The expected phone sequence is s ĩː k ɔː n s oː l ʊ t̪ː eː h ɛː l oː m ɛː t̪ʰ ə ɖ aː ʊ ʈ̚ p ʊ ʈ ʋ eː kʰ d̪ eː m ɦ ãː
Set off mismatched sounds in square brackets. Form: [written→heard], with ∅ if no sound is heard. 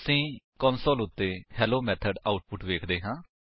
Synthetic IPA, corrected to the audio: s ĩː k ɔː n s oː l ʊ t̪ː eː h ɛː l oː m ɛː t̪ʰ ə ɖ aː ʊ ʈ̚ p ʊ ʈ ʋ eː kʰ d̪ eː [m→∅] ɦ ãː